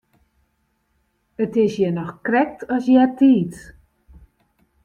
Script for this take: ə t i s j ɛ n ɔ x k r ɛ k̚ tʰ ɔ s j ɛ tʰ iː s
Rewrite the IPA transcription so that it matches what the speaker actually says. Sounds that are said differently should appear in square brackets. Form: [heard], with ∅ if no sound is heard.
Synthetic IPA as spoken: ə t [ɪ] s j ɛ n ɔ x k r ɛ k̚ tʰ ɔ s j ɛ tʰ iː [t]